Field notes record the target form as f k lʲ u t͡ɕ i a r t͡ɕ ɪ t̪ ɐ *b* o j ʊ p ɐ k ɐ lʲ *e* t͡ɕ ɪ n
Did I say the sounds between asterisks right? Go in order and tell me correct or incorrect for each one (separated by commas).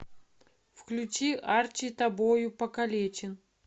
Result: correct, correct